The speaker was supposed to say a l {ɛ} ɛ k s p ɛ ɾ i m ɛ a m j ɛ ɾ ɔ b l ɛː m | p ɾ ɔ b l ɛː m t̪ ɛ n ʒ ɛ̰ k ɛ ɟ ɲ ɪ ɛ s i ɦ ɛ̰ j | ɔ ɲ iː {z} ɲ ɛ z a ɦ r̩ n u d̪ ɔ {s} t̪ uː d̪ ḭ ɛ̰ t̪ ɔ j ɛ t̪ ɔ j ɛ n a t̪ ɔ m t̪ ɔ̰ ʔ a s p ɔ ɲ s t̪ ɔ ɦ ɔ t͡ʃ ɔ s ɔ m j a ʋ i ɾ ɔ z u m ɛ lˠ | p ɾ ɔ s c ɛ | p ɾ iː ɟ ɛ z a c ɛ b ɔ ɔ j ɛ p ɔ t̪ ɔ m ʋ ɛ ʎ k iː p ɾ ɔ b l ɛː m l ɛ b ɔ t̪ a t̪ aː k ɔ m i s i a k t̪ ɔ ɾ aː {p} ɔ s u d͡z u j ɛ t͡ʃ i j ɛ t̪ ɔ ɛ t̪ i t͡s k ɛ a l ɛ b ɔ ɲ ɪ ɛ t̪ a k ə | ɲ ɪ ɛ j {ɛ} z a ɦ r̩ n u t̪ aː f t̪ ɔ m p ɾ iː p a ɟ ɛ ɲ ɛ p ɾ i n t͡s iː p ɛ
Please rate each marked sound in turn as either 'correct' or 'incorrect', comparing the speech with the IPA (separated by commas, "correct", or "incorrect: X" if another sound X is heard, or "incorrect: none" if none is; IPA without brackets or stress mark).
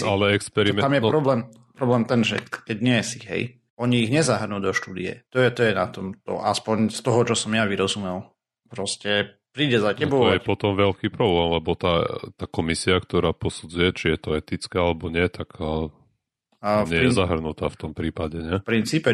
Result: correct, incorrect: ɣ, incorrect: ʃ, correct, correct